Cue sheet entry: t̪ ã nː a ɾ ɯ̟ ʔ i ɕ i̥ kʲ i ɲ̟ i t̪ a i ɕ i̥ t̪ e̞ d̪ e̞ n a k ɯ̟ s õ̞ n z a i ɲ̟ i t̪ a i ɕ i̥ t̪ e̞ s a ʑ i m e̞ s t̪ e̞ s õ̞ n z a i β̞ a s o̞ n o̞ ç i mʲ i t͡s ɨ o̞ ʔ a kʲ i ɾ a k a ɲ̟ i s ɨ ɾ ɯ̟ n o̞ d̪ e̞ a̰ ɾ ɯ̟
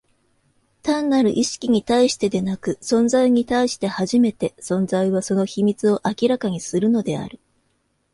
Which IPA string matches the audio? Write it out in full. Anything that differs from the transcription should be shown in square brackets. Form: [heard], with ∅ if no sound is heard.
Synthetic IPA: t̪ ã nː a ɾ ɯ̟ ʔ i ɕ i̥ kʲ i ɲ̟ i t̪ a i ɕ i̥ t̪ e̞ d̪ e̞ n a k ɯ̟ s õ̞ n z a i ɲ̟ i t̪ a i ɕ i̥ t̪ e̞ [h] a ʑ i m e̞ [∅] t̪ e̞ s õ̞ n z a i β̞ a s o̞ n o̞ ç i mʲ i t͡s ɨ o̞ ʔ a kʲ i ɾ a k a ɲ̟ i s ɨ ɾ ɯ̟ n o̞ d̪ e̞ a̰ ɾ ɯ̟